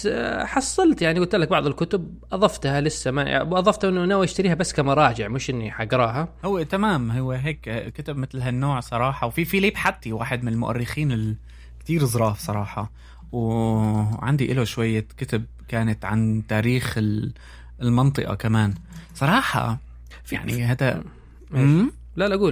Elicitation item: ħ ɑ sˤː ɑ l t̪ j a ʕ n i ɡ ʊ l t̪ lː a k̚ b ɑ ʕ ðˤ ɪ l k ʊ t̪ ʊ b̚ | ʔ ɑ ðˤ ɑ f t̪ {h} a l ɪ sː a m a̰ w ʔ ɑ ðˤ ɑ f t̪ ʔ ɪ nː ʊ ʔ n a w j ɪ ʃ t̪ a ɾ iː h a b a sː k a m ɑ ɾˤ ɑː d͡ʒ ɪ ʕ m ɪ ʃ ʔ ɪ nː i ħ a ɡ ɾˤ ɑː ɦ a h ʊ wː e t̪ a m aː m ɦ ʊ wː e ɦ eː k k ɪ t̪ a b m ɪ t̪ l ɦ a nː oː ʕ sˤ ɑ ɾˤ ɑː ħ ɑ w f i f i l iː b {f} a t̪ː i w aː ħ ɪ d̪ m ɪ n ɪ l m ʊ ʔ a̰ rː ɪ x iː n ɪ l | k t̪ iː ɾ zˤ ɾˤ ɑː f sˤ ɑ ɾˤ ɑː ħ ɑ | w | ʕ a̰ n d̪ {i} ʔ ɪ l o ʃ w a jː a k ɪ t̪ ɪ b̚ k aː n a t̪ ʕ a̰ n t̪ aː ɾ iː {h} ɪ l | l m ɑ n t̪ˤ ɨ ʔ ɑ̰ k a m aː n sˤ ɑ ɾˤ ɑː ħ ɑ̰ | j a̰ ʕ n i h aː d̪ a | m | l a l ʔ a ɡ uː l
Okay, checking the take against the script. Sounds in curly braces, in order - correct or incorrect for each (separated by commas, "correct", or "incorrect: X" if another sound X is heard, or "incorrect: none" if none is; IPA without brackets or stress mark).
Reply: correct, incorrect: ħ, correct, incorrect: x